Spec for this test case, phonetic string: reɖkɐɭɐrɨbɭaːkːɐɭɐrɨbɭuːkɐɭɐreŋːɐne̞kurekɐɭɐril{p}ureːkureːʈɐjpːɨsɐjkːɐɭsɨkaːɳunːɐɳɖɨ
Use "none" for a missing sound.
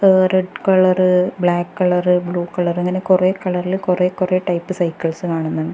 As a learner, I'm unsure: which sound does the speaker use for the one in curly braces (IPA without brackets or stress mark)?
k